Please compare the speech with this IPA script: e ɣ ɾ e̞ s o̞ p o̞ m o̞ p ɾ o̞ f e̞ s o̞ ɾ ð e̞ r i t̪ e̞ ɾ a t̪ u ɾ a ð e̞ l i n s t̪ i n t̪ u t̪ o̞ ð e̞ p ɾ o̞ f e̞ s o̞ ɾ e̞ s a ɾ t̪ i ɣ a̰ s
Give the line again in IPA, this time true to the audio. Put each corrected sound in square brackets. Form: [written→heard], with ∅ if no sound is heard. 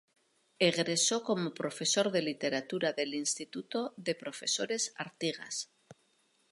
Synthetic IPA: e ɣ ɾ e̞ s o̞ [p→k] o̞ m o̞ p ɾ o̞ f e̞ s o̞ ɾ ð e̞ [r→l] i t̪ e̞ ɾ a t̪ u ɾ a ð e̞ l i n s t̪ i [n→∅] t̪ u t̪ o̞ ð e̞ p ɾ o̞ f e̞ s o̞ ɾ e̞ s a ɾ t̪ i ɣ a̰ s